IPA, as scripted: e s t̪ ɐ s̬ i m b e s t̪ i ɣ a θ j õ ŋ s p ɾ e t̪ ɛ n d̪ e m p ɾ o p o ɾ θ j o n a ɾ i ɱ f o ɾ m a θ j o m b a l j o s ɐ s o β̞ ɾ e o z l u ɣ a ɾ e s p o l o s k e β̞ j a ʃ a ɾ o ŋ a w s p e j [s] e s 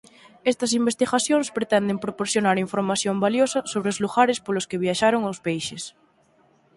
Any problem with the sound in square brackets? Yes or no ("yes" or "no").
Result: yes